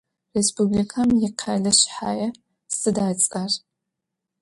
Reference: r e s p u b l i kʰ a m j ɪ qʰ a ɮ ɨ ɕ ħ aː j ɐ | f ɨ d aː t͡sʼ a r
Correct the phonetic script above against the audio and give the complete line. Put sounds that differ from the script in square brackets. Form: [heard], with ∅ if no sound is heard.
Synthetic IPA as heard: r e s p u b l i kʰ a m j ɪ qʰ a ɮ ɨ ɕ ħ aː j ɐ | [s] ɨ d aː t͡sʼ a r